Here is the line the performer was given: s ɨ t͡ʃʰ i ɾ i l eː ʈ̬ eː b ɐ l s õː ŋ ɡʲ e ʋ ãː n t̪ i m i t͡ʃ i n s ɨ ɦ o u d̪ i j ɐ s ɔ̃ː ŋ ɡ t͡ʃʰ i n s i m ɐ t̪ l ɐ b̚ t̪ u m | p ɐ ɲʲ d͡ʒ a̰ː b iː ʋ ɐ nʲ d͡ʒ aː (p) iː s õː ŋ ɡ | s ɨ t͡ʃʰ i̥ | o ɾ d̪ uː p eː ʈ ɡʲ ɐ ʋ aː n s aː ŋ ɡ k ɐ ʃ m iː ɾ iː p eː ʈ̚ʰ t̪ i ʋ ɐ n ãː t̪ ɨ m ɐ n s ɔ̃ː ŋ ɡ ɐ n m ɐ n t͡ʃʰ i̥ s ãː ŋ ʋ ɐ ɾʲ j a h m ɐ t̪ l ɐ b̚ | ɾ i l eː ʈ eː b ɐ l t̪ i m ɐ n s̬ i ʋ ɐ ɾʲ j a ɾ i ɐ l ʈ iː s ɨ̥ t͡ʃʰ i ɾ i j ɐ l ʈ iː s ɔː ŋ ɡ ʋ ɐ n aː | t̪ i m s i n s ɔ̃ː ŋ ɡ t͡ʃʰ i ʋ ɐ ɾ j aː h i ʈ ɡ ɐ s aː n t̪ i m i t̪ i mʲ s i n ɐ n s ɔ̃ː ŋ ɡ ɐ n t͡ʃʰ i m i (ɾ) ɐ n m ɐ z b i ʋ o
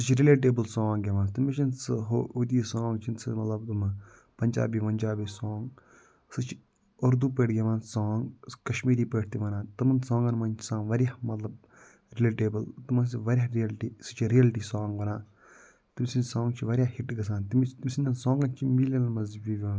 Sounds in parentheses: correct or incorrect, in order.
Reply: incorrect, incorrect

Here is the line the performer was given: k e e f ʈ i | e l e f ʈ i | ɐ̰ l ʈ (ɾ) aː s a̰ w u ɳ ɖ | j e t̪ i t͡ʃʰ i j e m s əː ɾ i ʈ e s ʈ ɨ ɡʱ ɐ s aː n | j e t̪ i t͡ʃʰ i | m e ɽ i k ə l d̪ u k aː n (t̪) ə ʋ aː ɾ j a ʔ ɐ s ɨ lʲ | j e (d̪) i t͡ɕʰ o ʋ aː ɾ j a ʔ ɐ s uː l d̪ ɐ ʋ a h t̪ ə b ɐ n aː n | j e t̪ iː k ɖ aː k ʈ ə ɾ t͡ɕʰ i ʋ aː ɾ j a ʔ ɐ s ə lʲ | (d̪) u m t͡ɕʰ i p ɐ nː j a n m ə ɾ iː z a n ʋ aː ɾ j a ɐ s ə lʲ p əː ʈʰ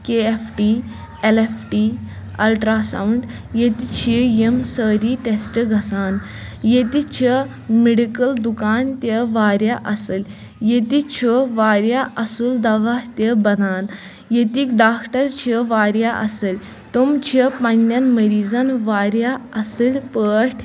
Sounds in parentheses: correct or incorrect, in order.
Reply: correct, correct, incorrect, incorrect

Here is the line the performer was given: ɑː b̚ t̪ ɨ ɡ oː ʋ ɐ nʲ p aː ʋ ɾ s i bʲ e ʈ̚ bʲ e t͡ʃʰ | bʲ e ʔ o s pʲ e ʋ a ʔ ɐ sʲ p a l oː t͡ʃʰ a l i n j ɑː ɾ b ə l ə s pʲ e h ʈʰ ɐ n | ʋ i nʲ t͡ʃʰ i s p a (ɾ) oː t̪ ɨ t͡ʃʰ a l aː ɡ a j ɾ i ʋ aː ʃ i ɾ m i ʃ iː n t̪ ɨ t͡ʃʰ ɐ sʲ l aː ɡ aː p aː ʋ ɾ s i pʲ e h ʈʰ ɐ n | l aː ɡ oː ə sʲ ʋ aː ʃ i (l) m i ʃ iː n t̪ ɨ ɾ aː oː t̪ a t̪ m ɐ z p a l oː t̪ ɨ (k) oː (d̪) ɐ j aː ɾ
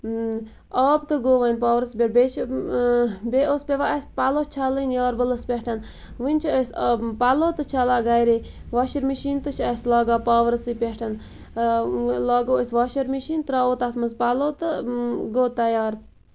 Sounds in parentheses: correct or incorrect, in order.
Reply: incorrect, incorrect, incorrect, incorrect

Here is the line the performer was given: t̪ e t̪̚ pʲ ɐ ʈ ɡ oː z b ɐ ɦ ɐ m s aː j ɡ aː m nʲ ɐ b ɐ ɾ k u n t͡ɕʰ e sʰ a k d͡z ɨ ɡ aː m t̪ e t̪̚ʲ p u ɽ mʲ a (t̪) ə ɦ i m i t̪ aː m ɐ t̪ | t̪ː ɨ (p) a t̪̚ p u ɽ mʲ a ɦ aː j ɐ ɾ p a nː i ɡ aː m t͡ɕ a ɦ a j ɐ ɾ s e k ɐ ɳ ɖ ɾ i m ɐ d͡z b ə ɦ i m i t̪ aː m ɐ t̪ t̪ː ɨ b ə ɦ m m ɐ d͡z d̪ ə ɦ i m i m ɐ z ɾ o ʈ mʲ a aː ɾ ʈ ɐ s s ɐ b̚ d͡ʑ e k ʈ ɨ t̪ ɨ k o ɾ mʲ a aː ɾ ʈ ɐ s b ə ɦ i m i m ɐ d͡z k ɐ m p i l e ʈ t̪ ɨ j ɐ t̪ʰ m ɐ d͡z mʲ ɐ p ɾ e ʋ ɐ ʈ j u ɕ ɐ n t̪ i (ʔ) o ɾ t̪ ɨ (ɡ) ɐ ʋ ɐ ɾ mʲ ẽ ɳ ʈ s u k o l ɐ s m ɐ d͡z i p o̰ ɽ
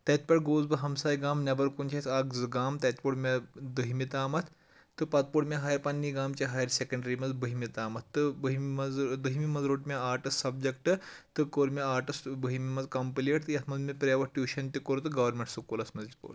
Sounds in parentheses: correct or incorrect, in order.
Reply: incorrect, correct, incorrect, correct

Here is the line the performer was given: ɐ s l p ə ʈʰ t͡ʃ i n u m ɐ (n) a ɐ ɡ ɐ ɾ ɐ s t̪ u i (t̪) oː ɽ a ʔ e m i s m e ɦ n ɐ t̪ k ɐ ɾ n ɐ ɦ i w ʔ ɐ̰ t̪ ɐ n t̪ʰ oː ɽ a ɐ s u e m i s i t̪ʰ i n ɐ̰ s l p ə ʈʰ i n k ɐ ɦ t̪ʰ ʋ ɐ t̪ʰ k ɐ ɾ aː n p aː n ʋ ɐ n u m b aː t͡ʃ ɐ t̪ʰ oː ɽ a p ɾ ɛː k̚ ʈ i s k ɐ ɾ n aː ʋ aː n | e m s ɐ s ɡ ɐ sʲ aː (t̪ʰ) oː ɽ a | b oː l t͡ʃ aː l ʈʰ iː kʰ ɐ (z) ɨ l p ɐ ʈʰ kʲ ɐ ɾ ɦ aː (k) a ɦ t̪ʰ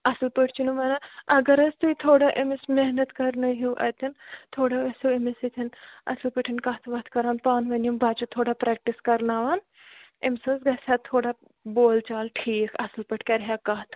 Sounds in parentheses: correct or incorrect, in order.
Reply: correct, incorrect, correct, incorrect, correct

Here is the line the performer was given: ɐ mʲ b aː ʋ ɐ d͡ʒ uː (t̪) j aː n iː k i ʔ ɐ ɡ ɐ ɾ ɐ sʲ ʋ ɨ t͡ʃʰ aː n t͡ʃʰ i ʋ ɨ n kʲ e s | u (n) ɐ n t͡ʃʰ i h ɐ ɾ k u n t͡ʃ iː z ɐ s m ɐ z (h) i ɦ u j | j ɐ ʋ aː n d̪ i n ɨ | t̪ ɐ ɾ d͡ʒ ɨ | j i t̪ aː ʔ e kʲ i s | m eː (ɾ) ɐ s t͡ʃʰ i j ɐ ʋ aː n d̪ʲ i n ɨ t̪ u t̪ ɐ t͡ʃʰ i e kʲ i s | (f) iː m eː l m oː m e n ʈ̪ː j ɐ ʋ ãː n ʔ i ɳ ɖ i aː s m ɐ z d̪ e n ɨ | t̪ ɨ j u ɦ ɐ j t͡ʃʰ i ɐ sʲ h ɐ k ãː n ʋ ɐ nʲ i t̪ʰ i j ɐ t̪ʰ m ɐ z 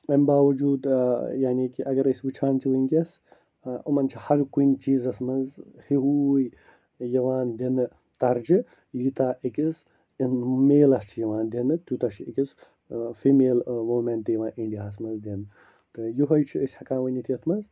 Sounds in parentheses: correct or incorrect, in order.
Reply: incorrect, incorrect, correct, incorrect, correct

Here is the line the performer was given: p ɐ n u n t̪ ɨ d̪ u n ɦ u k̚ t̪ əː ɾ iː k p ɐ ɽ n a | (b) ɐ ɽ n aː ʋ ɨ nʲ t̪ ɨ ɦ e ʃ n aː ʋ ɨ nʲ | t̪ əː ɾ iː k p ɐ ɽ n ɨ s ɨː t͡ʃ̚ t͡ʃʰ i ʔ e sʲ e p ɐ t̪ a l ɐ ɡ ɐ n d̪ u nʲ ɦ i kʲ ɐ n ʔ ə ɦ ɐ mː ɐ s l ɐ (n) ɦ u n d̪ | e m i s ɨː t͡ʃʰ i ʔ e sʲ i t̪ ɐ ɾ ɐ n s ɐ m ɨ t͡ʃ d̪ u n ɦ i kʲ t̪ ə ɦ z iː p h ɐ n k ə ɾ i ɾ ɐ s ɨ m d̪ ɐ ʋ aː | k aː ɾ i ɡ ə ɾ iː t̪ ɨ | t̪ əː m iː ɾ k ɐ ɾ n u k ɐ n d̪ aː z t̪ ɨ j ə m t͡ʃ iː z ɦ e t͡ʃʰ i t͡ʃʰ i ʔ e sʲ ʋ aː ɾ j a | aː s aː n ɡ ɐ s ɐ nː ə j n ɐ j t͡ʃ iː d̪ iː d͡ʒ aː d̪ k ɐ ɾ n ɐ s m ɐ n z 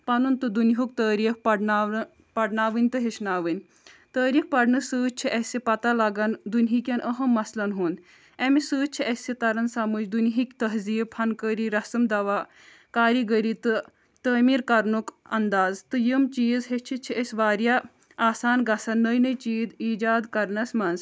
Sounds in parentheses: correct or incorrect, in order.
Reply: incorrect, correct

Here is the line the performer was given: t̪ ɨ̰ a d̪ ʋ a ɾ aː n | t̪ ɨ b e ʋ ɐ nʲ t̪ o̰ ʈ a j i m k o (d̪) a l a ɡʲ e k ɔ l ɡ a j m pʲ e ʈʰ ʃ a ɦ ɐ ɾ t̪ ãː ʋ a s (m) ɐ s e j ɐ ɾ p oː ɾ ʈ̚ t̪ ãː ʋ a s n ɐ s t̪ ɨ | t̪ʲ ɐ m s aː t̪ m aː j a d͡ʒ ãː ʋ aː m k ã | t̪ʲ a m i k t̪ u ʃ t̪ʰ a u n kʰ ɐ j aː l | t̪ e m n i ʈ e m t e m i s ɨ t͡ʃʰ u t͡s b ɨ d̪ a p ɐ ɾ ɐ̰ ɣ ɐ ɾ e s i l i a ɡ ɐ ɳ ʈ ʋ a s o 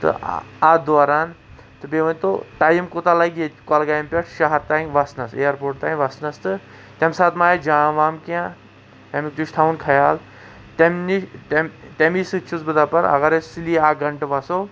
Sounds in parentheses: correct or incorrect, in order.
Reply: incorrect, incorrect

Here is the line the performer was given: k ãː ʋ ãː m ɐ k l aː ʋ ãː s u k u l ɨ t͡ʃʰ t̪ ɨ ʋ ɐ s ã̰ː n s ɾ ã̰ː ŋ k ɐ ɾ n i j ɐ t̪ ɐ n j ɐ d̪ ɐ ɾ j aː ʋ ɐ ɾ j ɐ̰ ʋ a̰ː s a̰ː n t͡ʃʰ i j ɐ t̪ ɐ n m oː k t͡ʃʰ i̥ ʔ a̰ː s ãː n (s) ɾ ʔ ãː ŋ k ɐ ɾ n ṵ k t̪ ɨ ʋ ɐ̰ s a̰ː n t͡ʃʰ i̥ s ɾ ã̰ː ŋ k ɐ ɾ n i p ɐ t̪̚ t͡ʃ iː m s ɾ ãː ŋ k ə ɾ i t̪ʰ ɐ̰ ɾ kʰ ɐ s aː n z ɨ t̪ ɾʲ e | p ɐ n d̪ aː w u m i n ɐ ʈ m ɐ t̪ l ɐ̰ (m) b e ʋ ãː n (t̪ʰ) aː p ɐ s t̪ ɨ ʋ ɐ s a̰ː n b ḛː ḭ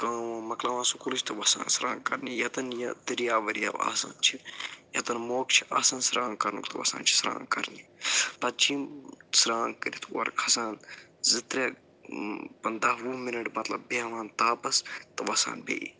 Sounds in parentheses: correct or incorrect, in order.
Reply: correct, incorrect, incorrect

